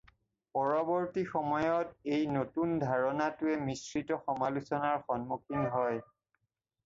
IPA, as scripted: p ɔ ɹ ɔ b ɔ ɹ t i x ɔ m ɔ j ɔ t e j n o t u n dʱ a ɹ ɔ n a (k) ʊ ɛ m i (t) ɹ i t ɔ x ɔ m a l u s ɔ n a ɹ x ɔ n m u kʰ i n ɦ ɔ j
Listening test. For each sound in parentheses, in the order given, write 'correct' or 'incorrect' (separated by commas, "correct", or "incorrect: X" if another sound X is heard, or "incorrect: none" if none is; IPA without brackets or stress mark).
incorrect: t, incorrect: s